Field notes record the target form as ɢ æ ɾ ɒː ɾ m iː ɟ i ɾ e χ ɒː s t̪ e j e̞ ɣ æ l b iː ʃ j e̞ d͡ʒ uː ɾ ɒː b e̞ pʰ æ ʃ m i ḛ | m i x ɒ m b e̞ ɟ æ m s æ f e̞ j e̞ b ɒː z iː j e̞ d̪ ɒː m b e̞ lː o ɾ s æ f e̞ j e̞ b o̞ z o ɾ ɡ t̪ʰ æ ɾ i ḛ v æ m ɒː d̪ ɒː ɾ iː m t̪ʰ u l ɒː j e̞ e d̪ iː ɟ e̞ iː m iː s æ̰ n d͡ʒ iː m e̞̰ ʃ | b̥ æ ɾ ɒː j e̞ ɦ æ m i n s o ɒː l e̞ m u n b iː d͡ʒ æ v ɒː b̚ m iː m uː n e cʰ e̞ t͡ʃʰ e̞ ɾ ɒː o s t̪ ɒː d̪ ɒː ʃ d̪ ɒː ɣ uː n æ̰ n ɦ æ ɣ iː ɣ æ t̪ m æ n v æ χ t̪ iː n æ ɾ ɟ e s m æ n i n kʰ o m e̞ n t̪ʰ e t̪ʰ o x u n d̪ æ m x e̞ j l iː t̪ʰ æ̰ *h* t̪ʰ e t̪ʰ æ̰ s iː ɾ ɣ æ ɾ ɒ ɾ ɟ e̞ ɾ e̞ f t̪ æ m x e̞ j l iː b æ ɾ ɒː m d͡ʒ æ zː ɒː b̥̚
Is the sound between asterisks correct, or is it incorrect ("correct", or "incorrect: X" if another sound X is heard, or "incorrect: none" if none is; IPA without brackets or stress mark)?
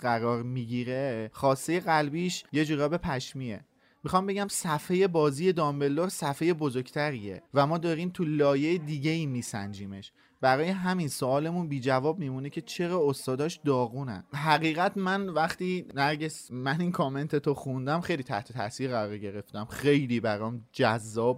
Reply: correct